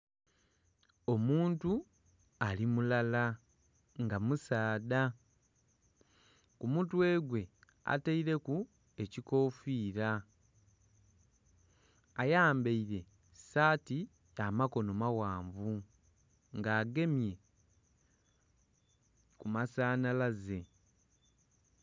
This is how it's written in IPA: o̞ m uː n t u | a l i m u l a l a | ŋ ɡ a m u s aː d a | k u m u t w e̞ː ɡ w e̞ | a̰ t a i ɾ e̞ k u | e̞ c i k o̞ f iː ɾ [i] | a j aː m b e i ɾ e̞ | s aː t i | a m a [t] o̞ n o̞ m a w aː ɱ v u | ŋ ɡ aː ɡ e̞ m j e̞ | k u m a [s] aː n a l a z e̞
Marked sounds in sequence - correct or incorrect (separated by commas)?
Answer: incorrect, incorrect, correct